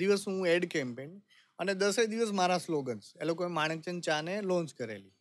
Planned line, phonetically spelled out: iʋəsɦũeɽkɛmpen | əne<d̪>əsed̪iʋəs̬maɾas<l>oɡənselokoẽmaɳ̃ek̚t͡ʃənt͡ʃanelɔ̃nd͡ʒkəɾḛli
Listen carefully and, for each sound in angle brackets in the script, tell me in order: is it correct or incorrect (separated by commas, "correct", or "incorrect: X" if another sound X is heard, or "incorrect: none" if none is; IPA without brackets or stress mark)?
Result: correct, correct